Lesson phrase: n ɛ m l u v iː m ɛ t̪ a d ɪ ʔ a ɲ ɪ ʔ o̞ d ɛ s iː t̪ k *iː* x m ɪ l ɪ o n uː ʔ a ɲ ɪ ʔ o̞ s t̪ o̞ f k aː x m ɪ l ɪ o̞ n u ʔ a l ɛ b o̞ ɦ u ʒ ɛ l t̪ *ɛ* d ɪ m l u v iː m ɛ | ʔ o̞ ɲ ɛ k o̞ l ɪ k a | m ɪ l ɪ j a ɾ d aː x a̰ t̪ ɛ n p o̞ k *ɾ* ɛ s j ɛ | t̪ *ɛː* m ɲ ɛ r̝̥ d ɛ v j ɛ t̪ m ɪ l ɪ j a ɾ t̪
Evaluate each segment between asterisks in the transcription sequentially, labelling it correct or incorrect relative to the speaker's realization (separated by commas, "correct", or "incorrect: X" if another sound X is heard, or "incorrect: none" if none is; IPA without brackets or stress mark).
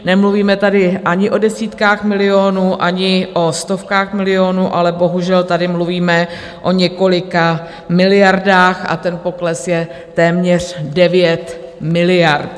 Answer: incorrect: aː, incorrect: a, incorrect: l, correct